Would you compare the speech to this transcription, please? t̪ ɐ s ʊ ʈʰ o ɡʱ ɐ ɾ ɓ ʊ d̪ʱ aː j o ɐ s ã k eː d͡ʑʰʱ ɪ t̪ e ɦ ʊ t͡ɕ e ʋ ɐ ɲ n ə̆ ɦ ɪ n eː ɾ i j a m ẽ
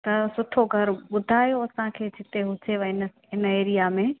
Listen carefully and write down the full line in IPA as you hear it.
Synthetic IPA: t̪ ɐ s ʊ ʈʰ o ɡʱ ɐ ɾ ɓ ʊ d̪ʱ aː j o ɐ s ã kʰ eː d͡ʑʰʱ ɪ t̪ e ɦ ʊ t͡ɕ e ʋ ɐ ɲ n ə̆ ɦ ɪ n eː ɾ i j a m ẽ